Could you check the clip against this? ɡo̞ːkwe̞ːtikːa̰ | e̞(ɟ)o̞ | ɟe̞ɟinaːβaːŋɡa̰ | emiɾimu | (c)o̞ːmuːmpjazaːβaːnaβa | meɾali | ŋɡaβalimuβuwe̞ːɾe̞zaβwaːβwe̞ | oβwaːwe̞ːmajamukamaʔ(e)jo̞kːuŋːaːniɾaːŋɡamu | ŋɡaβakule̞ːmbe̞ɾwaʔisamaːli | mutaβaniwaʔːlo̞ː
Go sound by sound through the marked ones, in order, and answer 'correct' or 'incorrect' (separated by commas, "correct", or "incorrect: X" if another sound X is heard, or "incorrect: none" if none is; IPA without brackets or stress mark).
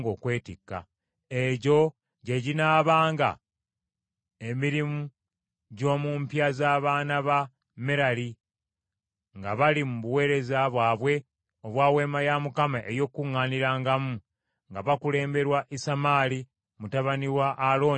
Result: correct, incorrect: ɟ, correct